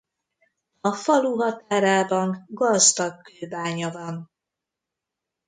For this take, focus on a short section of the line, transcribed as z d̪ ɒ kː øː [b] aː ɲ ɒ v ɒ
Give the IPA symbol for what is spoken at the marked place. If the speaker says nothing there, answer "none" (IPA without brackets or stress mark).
b